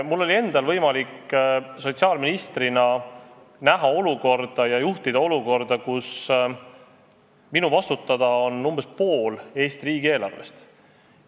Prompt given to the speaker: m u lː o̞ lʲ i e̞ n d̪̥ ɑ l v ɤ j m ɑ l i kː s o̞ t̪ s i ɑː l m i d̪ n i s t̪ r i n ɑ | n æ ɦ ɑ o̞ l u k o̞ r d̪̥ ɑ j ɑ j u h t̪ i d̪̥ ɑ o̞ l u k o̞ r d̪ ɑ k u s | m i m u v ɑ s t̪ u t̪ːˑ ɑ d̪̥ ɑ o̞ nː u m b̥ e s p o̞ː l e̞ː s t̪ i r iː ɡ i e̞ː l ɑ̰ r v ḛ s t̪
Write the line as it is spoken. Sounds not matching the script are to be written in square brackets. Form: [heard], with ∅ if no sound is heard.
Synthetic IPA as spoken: m u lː o̞ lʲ i e̞ n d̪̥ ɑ l v ɤ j m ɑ l i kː s o̞ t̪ s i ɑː l m i [∅] n i s t̪ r i n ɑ | n æ ɦ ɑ o̞ l u k o̞ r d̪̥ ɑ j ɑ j u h t̪ i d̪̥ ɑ o̞ l u k o̞ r d̪ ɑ k u s | m i [n] u v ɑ s t̪ u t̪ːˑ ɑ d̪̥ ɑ o̞ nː u m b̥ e s p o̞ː l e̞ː s t̪ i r iː ɡ i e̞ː l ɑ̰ r v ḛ s t̪